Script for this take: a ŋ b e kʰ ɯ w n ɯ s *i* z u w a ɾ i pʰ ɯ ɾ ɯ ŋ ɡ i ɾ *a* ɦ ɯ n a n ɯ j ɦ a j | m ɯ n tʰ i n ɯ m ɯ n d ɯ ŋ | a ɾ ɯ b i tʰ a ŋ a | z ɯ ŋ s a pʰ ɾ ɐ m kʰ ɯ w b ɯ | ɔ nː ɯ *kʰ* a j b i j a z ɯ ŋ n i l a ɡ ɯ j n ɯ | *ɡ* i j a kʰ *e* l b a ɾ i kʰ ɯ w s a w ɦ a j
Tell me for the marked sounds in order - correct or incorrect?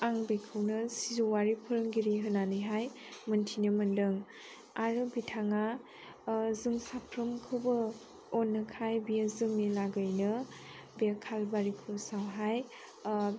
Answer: correct, incorrect: i, correct, incorrect: b, incorrect: a

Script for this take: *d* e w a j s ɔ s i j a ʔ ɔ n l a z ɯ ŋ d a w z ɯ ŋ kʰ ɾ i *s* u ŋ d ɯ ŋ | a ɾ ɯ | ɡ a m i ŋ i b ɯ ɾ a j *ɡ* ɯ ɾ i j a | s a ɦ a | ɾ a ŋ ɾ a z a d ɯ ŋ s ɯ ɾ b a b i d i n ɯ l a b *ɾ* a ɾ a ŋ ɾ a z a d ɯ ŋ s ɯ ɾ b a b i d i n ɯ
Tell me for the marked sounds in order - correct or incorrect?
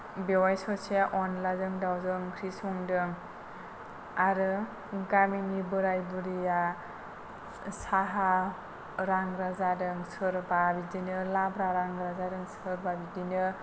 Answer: incorrect: b, correct, incorrect: b, correct

